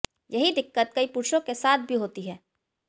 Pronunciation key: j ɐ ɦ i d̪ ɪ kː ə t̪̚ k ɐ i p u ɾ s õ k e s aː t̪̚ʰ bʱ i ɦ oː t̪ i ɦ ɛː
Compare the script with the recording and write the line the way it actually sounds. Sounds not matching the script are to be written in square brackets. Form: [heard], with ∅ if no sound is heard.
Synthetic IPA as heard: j ɐ ɦ i d̪ ɪ kː ə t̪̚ k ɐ i p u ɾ [ʃ] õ k e s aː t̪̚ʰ bʱ i ɦ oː t̪ i ɦ ɛː